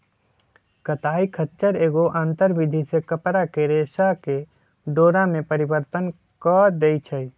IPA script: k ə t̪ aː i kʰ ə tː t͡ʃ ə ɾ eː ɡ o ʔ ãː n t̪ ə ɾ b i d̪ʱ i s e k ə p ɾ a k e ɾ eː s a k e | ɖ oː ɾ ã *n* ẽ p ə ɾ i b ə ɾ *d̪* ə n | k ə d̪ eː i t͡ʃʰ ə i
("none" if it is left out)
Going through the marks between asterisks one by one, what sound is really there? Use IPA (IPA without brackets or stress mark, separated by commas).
m, t̪